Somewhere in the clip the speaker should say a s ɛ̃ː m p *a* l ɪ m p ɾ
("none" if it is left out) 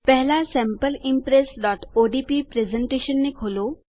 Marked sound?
ə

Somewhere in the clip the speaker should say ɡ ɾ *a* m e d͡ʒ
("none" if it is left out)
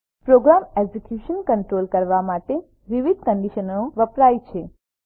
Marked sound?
a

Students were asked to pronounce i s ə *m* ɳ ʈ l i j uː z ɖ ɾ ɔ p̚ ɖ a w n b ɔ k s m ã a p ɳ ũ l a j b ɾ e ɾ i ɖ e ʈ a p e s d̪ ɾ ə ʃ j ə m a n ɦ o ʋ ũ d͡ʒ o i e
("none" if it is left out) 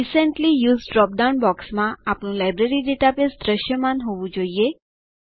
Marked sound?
none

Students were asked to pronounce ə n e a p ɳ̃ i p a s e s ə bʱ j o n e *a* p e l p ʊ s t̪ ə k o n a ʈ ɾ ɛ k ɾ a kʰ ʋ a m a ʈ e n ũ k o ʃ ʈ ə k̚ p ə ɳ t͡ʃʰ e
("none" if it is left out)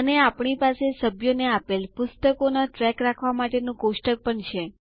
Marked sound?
a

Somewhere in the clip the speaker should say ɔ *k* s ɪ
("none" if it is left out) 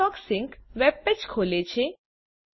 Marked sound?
k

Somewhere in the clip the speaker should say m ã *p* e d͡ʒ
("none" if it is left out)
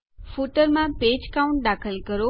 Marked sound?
p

